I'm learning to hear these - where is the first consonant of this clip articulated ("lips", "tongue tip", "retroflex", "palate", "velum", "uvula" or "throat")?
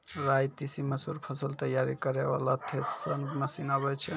tongue tip